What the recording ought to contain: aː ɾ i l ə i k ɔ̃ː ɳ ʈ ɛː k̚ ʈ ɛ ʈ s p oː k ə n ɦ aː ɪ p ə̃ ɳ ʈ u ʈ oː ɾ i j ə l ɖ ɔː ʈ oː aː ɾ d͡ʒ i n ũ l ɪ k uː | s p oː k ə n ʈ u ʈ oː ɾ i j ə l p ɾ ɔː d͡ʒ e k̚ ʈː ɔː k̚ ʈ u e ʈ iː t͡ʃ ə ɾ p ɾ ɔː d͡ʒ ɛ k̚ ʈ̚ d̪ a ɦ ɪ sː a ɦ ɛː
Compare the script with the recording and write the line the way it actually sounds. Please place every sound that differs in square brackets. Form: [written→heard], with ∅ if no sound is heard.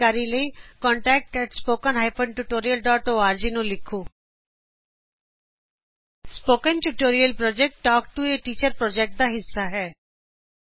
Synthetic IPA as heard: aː ɾ i l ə i k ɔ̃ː ɳ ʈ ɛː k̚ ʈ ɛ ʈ s p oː k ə n ɦ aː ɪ p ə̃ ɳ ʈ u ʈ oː ɾ i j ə l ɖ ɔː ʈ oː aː ɾ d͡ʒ i n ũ l ɪ [k→kʰ] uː | s p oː k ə n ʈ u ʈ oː ɾ i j ə l p ɾ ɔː d͡ʒ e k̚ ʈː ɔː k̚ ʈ u e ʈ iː t͡ʃ ə ɾ p ɾ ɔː d͡ʒ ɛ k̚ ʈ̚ d̪ a ɦ ɪ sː a ɦ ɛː